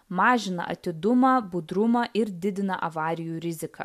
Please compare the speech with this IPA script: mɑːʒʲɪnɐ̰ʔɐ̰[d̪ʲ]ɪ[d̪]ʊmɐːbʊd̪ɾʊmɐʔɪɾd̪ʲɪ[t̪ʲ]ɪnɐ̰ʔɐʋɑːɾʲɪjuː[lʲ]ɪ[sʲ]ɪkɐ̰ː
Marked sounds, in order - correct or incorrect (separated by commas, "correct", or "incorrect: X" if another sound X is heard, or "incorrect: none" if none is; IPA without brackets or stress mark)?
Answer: incorrect: t̪ʲ, correct, incorrect: d̪ʲ, incorrect: ɾʲ, incorrect: zʲ